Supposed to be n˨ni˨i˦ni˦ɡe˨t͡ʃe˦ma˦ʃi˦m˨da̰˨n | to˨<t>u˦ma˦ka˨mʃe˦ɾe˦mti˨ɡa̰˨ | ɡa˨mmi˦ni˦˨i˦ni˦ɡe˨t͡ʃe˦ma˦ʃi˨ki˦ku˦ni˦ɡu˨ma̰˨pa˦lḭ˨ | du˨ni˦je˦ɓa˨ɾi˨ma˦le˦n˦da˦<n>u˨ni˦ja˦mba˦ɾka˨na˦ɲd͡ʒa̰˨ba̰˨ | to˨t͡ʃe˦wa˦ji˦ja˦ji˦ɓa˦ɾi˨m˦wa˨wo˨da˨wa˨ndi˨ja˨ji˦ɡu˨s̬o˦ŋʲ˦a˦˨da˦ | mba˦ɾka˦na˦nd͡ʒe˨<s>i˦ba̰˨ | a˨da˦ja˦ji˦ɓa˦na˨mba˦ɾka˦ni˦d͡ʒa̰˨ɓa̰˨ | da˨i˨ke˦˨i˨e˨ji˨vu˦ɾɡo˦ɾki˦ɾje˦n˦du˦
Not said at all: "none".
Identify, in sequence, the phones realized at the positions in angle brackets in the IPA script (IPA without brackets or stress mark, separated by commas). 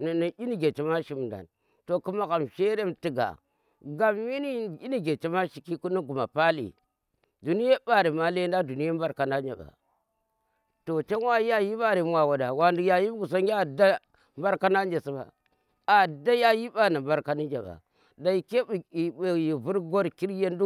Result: k, d, s